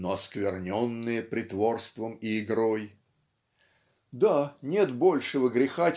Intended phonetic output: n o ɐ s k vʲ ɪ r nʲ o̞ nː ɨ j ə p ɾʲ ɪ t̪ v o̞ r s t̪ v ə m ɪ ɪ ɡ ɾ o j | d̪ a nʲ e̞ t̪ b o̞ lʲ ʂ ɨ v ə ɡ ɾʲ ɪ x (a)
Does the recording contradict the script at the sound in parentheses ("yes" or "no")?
no